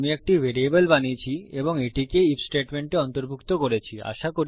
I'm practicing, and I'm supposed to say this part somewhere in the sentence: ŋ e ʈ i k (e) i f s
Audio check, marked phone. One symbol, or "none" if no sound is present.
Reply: e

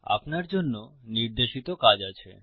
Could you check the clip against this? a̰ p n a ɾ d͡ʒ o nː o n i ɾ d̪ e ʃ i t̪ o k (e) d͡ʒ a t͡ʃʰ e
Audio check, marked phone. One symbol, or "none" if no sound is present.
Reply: a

